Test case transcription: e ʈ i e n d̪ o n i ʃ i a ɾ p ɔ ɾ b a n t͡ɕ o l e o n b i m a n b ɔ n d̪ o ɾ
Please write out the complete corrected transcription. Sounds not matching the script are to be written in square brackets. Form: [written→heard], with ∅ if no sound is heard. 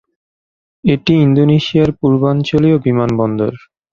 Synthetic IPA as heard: e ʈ i [e→i] n d̪ o n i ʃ i a ɾ p [ɔ→u] ɾ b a n t͡ɕ o l [e→i] o [n→∅] b i m a n b ɔ n d̪ o ɾ